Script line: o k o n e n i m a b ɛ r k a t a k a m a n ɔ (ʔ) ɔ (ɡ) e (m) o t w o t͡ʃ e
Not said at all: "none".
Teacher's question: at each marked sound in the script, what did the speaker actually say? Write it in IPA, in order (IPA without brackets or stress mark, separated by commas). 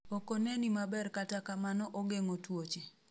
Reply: ʔ, ɡ, ŋ